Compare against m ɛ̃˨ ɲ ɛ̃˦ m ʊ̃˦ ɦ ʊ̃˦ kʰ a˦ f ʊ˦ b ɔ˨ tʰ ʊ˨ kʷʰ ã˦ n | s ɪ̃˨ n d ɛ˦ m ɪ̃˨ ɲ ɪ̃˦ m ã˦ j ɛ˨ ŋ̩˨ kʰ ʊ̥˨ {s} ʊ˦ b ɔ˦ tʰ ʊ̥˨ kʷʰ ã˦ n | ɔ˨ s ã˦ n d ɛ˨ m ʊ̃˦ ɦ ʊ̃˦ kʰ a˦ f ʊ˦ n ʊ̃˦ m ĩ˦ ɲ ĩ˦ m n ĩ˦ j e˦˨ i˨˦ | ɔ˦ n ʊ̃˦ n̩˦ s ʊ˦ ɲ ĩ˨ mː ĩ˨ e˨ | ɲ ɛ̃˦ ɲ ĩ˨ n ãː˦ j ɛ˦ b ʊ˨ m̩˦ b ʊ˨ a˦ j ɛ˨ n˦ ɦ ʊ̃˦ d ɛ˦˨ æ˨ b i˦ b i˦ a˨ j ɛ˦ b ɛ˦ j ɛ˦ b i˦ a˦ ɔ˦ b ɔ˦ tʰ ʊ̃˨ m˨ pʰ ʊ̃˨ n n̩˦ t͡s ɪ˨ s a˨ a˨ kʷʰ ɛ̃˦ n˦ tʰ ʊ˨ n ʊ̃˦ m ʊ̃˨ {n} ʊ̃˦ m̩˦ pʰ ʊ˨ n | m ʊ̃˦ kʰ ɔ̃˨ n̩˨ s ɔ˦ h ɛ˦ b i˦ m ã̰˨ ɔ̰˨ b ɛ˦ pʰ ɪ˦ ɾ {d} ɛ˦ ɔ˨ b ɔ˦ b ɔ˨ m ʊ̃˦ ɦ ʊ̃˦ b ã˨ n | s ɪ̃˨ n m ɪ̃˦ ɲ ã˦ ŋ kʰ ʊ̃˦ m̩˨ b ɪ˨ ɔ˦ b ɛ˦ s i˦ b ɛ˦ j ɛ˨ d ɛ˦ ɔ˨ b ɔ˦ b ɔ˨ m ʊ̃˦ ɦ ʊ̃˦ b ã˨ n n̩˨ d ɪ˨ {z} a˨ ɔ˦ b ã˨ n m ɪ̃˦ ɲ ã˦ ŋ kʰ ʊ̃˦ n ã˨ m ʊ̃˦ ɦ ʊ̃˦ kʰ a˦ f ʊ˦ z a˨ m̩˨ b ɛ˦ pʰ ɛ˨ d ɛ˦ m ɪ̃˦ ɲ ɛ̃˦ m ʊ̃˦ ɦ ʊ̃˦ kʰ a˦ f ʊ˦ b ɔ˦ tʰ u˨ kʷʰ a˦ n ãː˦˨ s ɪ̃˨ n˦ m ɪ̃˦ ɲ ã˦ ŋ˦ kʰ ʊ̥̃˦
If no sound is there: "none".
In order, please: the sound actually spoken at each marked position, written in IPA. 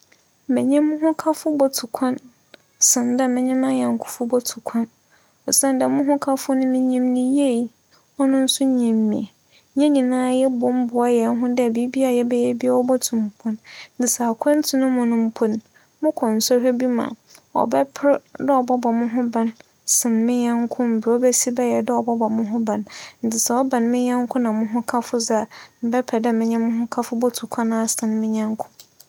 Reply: f, n, d, s

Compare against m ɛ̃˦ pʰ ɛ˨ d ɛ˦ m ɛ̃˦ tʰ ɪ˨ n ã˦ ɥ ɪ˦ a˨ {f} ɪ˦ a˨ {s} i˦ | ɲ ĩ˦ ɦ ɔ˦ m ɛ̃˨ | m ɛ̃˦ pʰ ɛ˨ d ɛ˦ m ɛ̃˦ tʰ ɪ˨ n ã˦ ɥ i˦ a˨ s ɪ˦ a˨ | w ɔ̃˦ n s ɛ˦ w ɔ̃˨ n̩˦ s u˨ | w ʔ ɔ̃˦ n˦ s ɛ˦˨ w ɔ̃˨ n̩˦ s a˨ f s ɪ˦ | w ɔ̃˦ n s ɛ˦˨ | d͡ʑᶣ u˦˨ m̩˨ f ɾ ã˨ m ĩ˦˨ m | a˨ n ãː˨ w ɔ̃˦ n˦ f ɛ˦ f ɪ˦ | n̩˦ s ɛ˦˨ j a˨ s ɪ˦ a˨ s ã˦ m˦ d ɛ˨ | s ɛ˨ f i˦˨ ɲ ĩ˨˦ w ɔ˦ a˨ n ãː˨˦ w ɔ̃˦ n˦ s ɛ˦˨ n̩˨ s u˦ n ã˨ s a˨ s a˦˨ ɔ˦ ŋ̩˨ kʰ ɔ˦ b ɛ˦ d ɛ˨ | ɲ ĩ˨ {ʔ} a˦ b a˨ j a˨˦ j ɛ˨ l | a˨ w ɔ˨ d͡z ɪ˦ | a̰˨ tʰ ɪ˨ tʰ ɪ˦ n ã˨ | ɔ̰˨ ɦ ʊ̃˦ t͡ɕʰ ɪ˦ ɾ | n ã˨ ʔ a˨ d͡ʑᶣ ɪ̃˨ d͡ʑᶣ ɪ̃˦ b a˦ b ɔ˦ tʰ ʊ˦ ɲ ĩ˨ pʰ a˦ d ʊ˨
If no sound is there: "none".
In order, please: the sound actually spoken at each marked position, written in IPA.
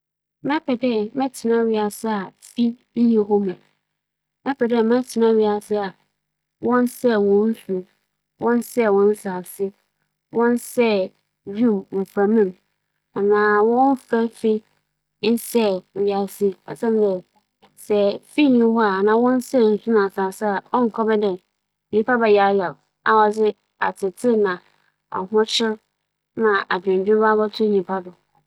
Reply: s, f, p

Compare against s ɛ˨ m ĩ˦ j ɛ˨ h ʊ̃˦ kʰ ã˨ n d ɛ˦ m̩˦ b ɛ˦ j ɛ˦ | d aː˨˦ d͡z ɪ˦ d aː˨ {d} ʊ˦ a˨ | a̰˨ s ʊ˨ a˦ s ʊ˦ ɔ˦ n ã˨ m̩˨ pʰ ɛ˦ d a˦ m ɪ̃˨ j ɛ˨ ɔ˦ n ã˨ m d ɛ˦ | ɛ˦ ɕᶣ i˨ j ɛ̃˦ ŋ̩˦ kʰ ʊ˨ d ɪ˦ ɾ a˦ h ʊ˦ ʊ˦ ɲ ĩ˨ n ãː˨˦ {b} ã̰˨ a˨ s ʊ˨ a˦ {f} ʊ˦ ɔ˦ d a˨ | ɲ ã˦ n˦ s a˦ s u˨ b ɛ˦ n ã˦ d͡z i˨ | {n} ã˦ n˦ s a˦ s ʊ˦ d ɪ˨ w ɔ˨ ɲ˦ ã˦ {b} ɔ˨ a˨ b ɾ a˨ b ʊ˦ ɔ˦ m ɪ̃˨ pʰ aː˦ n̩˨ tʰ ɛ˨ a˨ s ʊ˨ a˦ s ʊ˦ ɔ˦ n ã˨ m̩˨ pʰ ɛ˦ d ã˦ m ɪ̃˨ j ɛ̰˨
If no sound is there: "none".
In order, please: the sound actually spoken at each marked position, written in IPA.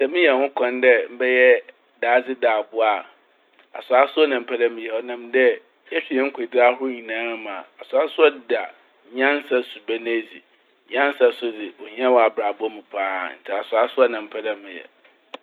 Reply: b, m, s, ɲ, w

